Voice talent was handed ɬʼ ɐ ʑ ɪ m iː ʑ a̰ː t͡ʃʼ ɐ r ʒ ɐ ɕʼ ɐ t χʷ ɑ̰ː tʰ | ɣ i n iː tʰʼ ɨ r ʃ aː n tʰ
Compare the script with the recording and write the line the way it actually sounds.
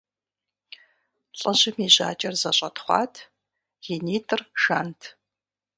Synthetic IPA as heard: ɬʼ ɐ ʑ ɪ m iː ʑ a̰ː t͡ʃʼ ɐ r z ɐ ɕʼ ɐ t χʷ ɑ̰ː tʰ | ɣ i n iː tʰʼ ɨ r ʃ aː n tʰ